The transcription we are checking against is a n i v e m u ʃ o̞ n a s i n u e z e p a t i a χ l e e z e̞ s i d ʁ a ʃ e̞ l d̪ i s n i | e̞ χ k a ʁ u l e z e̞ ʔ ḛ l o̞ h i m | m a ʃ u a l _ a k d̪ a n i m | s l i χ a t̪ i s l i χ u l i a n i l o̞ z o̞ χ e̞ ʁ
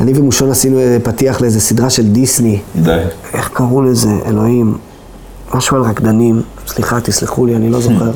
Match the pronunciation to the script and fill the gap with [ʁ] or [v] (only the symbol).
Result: ʁ